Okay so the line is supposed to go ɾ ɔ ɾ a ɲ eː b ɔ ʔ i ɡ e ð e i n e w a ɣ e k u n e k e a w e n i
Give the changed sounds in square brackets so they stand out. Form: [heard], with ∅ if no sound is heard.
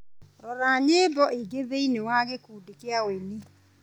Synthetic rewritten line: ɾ ɔ ɾ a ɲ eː b ɔ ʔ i ɡ e ð e i n e w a ɣ e k u [d] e k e a w e n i

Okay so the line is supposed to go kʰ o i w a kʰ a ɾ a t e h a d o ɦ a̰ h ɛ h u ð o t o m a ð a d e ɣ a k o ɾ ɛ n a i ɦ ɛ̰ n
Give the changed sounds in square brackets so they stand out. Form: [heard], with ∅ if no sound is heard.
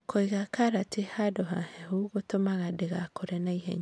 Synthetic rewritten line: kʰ o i [ɣ] a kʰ a ɾ a t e h a d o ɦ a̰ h ɛ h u [ɣ] o t o m a [ɣ] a d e ɣ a k o ɾ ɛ n a i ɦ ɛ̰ [ɲ]

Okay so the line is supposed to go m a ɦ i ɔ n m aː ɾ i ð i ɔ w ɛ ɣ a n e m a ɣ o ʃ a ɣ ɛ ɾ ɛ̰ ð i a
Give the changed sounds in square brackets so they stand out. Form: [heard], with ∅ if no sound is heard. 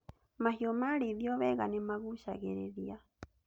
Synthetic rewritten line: m a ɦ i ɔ [∅] m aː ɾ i ð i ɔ [β] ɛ ɣ a n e m a ɣ [u] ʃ a ɣ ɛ ɾ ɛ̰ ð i a

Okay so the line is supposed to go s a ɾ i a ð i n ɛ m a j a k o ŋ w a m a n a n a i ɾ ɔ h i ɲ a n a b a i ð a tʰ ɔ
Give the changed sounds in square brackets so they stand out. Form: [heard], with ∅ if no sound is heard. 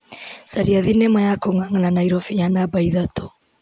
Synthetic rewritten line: s a ɾ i a ð i n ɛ m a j a k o ŋ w a [ŋ] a n a n a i ɾ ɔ [f] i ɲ a n a b a i ð a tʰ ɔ

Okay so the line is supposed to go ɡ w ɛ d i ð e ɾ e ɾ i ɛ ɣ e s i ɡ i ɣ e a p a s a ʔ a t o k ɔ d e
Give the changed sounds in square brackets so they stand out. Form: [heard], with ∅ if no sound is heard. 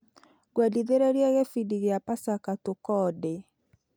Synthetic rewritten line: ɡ w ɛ d i ð e ɾ e ɾ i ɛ ɣ e [f] i [d] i ɣ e a p a s a [k] a t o k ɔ d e

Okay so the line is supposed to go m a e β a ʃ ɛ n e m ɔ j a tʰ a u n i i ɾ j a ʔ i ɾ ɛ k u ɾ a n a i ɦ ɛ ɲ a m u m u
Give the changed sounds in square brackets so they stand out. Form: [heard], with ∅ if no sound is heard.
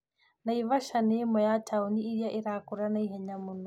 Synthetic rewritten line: [n] a [i] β a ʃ [a] n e m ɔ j a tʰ a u n i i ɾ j a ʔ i ɾ [a] k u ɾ a n a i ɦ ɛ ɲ a m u [n] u

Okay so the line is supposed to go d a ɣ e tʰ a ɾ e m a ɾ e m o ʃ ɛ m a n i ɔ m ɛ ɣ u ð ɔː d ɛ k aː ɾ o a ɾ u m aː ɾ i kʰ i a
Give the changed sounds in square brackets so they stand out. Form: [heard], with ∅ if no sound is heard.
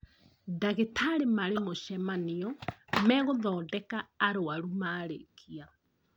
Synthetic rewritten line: d a ɣ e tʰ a ɾ e m a ɾ e m o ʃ ɛ m a n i ɔ m ɛ ɣ [o] ð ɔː d ɛ k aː ɾ o a ɾ u m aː ɾ [e] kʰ i a

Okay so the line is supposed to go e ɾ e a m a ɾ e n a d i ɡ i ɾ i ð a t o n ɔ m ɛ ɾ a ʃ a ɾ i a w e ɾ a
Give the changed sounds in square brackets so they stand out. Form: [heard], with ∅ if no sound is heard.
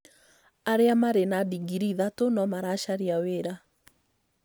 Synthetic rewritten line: [a] ɾ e a m a ɾ e n a d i ɡ i ɾ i ð a t o n ɔ m [a] ɾ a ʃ a ɾ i a w e ɾ a

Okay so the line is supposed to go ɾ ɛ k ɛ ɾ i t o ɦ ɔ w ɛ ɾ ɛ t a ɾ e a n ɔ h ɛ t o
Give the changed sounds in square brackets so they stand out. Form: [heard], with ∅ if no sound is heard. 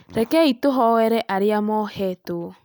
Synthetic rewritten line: ɾ ɛ k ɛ [∅] i t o ɦ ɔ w ɛ ɾ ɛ [ʔ] a ɾ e a [m] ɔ h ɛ t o

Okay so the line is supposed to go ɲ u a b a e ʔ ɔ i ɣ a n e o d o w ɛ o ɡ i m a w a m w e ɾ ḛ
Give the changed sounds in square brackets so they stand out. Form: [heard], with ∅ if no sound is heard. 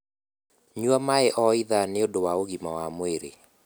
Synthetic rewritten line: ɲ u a [m] a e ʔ ɔ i [ð] a n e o d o w [a] o ɡ i m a w a m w e ɾ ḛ

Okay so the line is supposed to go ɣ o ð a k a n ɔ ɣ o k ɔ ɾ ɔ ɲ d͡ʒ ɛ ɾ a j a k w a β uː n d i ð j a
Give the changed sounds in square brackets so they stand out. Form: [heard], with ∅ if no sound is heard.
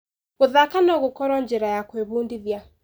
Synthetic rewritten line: ɣ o ð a k a n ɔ ɣ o k ɔ ɾ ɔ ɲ d͡ʒ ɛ ɾ a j a k w [e] β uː n d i ð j a

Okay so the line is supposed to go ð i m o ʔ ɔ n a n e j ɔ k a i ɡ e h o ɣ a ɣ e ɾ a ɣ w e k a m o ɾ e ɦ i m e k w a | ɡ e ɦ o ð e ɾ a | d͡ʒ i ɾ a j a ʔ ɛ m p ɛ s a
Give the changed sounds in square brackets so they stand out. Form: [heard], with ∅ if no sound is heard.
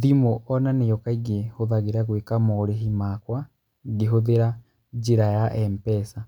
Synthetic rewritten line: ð i m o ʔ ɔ n a n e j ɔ k a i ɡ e h o [ð] a ɣ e ɾ a ɣ w e k a m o ɾ e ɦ i m [a] k w a | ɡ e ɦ o ð e ɾ a | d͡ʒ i ɾ a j a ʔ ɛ m p ɛ s a

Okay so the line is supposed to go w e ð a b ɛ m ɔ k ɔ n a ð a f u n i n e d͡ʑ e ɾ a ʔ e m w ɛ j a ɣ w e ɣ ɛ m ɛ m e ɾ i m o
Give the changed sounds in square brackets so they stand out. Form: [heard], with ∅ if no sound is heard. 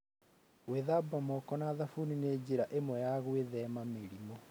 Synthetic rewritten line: w e ð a b [a] m ɔ k ɔ n a ð a f u n i n e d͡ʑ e ɾ a ʔ e m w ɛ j a ɣ w e [ð] ɛ m [a] m e ɾ i m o

